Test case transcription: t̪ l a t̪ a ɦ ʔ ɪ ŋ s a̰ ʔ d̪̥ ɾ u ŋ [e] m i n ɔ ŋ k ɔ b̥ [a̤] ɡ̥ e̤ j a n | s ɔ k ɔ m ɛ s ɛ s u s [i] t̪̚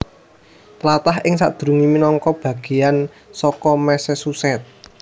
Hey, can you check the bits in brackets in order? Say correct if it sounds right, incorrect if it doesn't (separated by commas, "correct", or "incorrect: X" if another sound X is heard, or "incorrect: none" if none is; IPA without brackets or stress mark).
incorrect: i, correct, incorrect: ɛ